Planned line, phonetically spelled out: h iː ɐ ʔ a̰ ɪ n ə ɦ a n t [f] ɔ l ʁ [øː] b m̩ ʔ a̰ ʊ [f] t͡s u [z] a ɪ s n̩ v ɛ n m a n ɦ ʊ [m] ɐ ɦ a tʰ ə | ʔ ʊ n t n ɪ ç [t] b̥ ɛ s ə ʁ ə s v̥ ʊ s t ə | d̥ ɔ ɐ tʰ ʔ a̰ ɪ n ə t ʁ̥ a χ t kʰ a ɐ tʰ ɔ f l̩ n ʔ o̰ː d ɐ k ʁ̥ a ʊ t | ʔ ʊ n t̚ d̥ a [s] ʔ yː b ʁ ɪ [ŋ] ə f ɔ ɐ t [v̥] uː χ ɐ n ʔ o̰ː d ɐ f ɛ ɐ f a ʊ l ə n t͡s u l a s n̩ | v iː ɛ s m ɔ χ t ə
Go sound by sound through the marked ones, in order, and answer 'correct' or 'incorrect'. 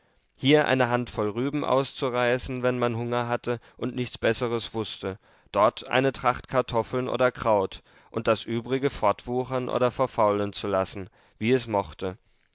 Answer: correct, incorrect, incorrect, incorrect, incorrect, incorrect, correct, incorrect, correct

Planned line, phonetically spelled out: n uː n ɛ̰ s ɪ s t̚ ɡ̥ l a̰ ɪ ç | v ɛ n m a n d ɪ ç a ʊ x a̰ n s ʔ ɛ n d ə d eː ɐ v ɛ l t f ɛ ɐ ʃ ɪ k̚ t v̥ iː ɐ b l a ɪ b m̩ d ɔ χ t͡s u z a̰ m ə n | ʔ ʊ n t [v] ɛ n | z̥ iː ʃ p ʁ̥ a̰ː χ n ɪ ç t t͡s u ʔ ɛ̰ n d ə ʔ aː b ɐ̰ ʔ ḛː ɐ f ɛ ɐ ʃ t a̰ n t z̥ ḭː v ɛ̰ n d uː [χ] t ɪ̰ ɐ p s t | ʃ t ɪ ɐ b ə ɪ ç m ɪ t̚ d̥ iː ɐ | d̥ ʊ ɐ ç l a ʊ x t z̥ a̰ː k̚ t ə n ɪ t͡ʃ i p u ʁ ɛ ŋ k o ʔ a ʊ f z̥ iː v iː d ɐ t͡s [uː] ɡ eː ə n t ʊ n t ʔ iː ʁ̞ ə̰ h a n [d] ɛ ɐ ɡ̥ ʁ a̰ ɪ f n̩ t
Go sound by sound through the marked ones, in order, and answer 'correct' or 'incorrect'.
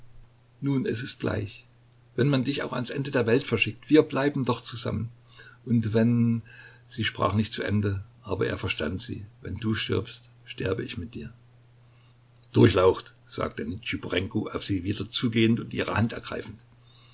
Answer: correct, incorrect, correct, incorrect

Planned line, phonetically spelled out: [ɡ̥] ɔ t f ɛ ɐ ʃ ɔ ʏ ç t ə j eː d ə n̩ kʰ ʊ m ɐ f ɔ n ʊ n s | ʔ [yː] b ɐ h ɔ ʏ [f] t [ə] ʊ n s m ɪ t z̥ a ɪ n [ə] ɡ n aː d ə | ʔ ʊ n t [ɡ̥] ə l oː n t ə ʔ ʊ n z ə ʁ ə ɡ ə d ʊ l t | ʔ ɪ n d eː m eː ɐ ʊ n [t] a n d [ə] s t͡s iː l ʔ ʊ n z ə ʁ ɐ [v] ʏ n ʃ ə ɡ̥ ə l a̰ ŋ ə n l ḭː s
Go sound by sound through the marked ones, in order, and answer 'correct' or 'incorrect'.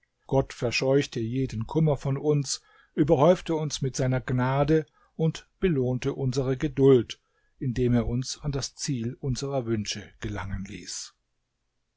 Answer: correct, correct, correct, correct, incorrect, incorrect, incorrect, incorrect, correct

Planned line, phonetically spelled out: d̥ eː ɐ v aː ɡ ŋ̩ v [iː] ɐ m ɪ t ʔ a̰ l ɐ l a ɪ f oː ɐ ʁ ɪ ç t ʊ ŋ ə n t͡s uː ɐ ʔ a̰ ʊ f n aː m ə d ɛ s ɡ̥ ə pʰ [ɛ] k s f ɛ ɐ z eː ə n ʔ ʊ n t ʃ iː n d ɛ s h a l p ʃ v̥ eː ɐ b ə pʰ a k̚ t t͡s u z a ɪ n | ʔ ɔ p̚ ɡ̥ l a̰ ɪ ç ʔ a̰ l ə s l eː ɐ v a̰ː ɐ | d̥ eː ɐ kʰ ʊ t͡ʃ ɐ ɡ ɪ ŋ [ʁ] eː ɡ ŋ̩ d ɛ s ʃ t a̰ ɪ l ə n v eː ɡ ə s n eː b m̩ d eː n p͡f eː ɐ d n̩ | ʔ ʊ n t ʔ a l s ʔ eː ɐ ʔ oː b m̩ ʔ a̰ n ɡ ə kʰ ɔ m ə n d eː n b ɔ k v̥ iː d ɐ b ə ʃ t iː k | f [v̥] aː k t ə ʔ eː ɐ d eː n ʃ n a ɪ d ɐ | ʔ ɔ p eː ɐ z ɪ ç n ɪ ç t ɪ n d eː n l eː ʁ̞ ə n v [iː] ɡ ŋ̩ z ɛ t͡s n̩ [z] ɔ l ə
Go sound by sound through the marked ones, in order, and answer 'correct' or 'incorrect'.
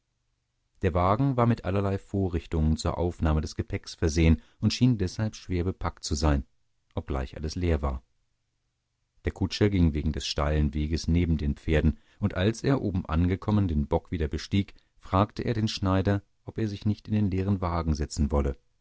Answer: incorrect, correct, incorrect, incorrect, incorrect, incorrect

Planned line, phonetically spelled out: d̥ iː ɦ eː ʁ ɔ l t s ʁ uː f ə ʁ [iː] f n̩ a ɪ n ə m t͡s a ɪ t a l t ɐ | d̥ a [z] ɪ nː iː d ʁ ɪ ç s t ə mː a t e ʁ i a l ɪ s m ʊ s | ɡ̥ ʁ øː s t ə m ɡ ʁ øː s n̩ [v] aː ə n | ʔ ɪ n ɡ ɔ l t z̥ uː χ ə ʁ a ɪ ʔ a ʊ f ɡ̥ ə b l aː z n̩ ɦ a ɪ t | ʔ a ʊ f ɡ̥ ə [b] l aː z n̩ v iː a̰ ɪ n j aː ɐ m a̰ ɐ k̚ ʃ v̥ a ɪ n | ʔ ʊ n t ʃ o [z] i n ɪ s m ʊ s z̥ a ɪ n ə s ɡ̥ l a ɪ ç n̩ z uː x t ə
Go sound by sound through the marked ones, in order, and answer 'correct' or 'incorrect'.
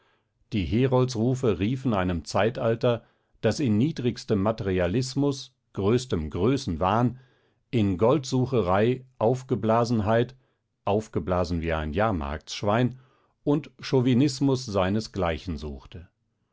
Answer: correct, incorrect, correct, correct, incorrect

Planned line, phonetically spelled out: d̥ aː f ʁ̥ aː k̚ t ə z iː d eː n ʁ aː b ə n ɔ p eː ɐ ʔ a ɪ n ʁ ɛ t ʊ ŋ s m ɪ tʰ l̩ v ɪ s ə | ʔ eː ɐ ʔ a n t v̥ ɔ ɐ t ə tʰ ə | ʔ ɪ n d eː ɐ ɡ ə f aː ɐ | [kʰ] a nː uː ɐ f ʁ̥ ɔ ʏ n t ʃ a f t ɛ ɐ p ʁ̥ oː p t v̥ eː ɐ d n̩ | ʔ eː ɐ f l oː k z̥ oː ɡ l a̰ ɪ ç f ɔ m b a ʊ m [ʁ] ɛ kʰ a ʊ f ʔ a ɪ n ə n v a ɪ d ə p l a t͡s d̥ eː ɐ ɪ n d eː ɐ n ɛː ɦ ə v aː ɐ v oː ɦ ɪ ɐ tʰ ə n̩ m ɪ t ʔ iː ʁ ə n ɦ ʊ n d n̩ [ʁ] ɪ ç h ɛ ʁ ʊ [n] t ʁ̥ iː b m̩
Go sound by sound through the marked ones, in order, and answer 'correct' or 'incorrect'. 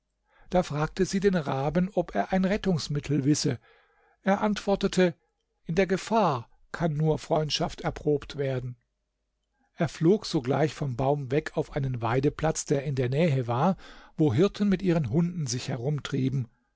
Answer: correct, incorrect, incorrect, incorrect

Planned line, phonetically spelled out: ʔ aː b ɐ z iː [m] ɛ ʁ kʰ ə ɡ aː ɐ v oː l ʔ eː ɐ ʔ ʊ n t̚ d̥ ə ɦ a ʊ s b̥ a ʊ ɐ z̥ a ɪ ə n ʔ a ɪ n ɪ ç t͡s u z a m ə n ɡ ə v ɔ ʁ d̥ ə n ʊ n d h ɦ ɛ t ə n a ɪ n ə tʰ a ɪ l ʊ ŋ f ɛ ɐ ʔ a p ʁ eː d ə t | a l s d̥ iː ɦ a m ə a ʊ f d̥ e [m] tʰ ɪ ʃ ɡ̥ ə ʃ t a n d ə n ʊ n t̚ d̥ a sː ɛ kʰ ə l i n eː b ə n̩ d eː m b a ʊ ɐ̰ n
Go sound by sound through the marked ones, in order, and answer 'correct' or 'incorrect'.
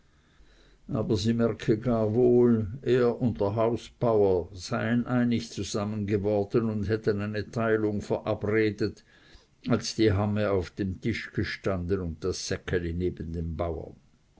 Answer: correct, correct

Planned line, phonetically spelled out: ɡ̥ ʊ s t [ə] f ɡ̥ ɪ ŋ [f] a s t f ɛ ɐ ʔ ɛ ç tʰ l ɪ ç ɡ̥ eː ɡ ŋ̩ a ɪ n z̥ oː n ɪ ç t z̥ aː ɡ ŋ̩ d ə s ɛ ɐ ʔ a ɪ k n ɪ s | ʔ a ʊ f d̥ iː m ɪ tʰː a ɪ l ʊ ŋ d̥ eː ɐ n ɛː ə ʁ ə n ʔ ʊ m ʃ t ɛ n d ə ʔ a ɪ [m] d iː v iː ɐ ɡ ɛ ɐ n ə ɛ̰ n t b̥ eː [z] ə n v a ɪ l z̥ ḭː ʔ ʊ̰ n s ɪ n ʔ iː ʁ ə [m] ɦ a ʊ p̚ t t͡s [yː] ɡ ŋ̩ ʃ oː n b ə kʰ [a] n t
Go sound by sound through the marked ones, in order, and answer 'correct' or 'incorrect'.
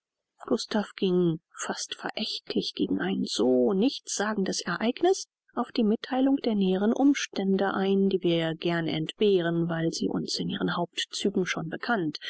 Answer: incorrect, correct, incorrect, incorrect, incorrect, correct, correct

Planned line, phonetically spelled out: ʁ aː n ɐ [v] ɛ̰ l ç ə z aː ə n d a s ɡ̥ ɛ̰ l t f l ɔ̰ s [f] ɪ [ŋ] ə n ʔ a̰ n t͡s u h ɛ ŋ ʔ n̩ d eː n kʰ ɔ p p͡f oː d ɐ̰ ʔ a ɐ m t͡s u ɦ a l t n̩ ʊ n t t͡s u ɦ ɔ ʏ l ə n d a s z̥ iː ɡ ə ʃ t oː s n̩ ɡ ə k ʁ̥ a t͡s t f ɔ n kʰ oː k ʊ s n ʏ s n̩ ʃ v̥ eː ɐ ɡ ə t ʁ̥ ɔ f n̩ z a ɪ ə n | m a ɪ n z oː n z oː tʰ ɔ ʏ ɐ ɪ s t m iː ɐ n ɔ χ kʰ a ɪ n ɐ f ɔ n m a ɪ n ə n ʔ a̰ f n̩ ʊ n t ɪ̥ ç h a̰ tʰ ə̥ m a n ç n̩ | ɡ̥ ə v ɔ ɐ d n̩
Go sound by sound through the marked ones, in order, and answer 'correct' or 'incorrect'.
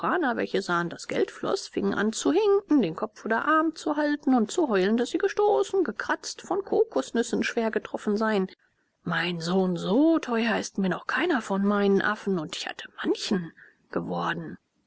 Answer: correct, correct, correct

